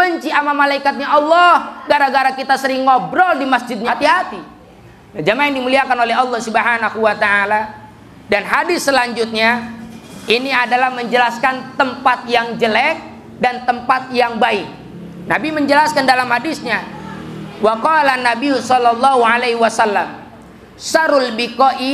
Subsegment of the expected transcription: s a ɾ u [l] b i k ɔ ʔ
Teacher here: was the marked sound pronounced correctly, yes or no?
yes